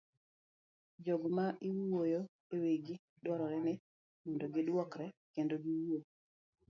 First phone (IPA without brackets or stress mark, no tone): d͡ʒ